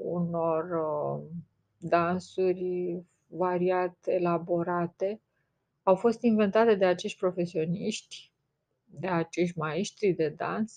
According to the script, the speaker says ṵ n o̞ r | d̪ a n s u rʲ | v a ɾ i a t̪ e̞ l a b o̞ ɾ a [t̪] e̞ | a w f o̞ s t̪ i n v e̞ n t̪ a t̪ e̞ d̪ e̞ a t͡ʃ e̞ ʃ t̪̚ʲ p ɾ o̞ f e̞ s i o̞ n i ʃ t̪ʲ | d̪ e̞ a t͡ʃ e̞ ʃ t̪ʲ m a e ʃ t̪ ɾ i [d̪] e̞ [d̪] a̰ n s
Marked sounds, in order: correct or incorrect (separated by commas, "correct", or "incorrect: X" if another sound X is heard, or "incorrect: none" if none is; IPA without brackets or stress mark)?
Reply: correct, correct, correct